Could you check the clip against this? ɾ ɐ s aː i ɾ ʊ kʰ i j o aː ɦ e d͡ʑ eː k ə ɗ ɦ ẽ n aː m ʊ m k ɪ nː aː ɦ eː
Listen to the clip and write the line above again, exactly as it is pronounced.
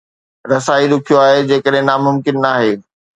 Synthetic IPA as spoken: ɾ ɐ s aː i ɾ ʊ kʰ i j o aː ɦ e d͡ʑ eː k ə ɗ ɦ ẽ n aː m ʊ m k ɪ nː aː ɦ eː

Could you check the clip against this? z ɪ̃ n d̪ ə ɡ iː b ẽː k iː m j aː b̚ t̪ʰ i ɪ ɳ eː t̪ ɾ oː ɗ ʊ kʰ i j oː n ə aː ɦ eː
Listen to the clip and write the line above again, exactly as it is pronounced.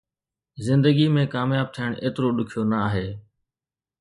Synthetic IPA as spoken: z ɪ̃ n d̪ ə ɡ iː m ẽː k aː m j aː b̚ t̪ʰ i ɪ ɳ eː t̪ ɾ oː ɗ ʊ kʰ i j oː n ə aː ɦ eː

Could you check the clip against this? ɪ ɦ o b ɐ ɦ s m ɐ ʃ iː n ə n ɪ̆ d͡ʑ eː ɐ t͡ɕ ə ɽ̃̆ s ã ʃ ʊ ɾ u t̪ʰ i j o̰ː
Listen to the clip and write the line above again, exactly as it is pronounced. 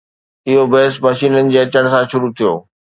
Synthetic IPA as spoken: ɪ ɦ o b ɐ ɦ s m ɐ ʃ iː n ə n ɪ̆ d͡ʑ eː ɐ t͡ɕ ə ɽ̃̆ s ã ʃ ʊ ɾ u t̪ʰ i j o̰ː

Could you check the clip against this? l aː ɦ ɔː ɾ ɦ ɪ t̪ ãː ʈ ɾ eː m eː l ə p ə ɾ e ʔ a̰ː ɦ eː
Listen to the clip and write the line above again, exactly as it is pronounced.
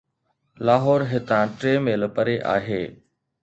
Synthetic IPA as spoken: l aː ɦ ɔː ɾ ɦ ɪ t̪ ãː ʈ ɾ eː m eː l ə p ə ɾ e ʔ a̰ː ɦ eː

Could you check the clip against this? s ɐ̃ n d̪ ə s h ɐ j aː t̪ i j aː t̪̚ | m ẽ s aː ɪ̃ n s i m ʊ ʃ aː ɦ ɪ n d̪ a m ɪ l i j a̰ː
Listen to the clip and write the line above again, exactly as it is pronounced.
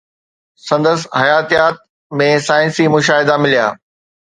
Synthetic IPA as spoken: s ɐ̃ n d̪ ə s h ɐ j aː t̪ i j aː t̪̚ | m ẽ s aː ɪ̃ n s i m ʊ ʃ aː ɦ ɪ d̪ a m ɪ l i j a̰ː

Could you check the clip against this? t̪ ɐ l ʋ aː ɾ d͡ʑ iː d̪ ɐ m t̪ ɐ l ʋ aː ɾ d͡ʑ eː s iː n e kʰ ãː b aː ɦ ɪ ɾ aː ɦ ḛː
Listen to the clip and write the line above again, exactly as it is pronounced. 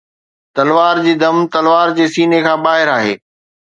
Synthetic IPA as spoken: t̪ ɐ l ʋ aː ɾ d͡ʑ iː d̪ ɐ m t̪ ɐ l ʋ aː ɾ d͡ʑ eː s iː n e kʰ ãː b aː ɦ ɪ ɾ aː ɦ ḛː

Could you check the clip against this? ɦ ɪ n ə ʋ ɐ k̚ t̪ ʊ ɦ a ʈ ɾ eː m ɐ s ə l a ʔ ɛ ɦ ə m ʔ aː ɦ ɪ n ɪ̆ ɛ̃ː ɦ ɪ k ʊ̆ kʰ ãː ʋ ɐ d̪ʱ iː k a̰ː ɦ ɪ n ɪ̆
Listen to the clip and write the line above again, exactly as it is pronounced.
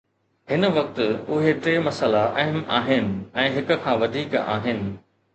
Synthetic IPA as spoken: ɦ ɪ n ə ʋ ɐ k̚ t̪ ʊ ɦ e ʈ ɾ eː m ɐ s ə l a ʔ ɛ ɦ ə m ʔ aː ɦ ɪ n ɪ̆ ɛ̃ː ɦ ɪ k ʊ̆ kʰ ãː ʋ ɐ d̪ʱ iː k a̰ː ɦ ɪ n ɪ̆

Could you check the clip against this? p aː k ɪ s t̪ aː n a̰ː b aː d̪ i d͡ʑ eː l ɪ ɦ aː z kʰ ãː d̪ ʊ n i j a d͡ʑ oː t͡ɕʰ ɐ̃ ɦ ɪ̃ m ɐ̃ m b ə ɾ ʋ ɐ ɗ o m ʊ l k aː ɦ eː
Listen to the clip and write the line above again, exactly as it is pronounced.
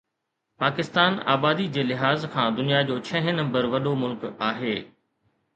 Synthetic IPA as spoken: p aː k ɪ s t̪ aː n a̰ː b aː d̪ i d͡ʑ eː l ɪ ɦ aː z kʰ ãː d̪ ʊ n i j a d͡ʑ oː t͡ɕʰ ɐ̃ ɦ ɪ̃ n ɐ̃ m b ə ɾ ʋ ɐ ɗ o m ʊ l k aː ɦ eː

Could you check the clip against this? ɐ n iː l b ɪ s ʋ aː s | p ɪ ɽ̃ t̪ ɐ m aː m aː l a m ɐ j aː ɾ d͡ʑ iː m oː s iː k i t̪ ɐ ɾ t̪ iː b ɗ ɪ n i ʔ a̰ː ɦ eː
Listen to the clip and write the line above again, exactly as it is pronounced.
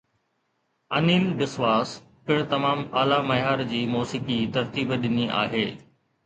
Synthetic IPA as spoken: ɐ n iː l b ɪ s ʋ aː s | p ɪ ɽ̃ t̪ ɐ m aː m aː l a m ɐ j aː ɾ d͡ʑ iː m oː s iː k i t̪ ɐ ɾ t̪ iː b ɗ ɪ n i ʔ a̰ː ɦ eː

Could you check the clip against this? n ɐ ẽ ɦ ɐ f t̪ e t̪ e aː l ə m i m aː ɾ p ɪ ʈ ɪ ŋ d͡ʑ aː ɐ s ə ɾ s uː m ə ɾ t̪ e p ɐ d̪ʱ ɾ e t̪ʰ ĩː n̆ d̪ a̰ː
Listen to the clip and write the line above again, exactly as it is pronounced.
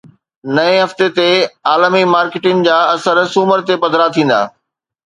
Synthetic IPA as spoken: n ɐ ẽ ɦ ɐ f t̪ e t̪ e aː l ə m i m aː ɾ k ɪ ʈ ɪ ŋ d͡ʑ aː ɐ s ə ɾ s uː m ə ɾ t̪ e p ɐ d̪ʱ ɾ a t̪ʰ ĩː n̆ d̪ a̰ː

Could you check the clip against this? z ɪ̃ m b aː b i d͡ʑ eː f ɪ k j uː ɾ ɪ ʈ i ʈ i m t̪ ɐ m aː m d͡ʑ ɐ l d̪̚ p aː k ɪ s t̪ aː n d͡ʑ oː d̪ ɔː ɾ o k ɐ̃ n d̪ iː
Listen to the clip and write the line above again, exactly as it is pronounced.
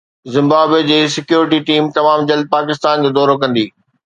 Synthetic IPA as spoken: z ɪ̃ m b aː b e d͡ʑ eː s ɪ k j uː ɾ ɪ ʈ i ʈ iː m t̪ ɐ m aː m d͡ʑ ɐ l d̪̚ p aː k ɪ s t̪ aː n d͡ʑ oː d̪ ɔː ɾ o k ɐ̃ n d̪ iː

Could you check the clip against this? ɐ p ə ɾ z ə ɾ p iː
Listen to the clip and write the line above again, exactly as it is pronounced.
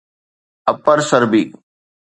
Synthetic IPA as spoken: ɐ p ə ɾ s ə ɾ b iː

